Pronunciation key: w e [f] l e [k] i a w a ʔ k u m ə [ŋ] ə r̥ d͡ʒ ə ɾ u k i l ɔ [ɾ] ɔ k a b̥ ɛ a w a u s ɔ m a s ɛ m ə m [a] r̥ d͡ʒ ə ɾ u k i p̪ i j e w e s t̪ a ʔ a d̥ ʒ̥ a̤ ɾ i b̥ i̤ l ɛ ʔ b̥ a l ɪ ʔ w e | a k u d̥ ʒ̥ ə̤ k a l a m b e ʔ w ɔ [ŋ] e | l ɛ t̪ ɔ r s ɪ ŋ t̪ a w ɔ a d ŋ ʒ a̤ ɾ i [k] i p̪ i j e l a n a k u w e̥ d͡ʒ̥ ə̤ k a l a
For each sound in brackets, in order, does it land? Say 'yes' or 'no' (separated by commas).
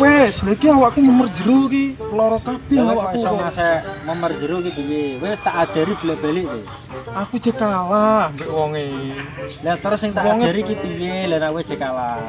no, yes, no, yes, no, yes, yes